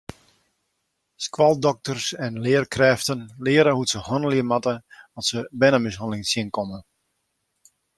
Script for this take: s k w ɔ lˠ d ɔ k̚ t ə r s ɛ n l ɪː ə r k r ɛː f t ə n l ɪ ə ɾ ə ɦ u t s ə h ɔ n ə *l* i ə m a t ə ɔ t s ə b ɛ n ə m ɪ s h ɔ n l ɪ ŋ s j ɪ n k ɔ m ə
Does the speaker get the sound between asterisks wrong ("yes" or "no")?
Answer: no